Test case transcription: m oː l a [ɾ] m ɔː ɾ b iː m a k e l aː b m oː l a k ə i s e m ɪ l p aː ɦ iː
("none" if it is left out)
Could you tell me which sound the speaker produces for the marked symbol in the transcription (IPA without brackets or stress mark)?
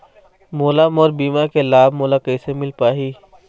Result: none